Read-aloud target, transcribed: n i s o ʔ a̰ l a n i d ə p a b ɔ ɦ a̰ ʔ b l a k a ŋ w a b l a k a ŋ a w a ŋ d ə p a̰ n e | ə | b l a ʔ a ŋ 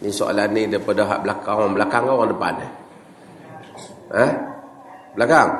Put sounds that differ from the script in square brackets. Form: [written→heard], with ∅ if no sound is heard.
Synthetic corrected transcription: n i s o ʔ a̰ l a n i d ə p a [b→d] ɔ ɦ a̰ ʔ b l a k a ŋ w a b l a k a ŋ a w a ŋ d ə p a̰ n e | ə | b l a [ʔ→k] a ŋ